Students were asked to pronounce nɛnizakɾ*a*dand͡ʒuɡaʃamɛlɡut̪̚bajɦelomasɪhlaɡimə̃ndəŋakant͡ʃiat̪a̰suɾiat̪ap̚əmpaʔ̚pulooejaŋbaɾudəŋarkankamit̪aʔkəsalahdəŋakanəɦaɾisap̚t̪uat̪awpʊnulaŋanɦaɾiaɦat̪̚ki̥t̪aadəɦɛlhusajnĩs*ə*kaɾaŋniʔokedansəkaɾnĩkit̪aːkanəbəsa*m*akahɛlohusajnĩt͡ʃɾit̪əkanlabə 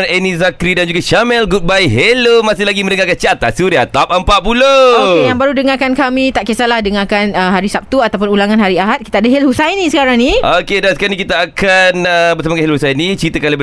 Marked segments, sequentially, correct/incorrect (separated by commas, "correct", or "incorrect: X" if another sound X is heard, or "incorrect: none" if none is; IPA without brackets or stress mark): incorrect: i, correct, correct